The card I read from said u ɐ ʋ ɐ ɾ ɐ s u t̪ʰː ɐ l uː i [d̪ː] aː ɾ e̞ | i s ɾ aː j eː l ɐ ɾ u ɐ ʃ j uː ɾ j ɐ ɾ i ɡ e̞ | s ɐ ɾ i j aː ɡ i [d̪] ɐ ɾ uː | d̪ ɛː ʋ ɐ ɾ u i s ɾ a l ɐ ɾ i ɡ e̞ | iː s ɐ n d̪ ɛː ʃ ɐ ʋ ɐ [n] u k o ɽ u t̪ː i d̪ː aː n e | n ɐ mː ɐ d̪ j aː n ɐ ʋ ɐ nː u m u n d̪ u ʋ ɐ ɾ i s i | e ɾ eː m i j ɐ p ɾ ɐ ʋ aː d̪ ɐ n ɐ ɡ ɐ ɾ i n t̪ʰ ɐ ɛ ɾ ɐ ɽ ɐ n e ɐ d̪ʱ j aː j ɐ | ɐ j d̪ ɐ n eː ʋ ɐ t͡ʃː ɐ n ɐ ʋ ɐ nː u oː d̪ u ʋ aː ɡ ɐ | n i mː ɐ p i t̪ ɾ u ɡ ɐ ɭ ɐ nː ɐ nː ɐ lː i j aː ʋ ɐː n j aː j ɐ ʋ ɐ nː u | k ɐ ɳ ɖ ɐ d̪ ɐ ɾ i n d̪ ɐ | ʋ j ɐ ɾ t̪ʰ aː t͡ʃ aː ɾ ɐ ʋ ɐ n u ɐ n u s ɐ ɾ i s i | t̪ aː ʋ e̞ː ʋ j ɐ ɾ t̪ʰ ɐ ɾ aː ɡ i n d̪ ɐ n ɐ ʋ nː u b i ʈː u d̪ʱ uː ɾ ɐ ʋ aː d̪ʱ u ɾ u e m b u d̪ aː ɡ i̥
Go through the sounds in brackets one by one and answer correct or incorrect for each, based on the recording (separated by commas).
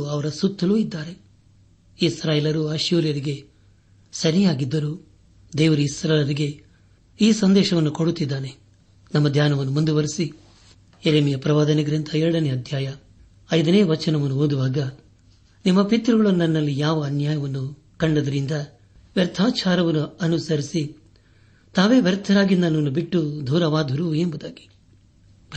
correct, incorrect, incorrect